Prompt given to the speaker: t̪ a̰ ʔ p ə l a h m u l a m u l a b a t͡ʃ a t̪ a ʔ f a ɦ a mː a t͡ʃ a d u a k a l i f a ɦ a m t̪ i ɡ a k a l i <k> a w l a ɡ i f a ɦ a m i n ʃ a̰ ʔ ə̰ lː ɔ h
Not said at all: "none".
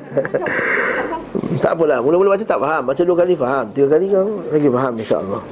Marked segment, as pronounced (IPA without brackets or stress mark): k